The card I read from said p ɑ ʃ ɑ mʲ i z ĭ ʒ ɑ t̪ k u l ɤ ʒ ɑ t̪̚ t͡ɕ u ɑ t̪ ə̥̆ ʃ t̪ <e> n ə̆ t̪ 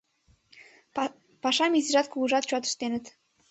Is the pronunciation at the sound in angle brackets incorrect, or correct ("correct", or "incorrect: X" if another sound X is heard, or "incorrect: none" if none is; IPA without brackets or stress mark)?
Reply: correct